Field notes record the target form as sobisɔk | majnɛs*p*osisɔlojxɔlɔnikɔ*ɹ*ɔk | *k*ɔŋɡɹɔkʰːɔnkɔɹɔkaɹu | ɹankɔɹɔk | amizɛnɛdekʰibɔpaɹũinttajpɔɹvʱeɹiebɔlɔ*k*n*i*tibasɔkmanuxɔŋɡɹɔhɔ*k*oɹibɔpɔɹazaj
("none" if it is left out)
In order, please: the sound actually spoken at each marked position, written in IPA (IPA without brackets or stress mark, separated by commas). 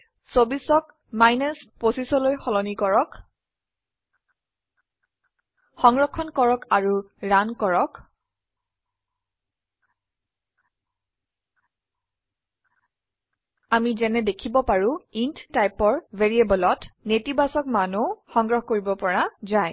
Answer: p, ɹ, x, t, e, k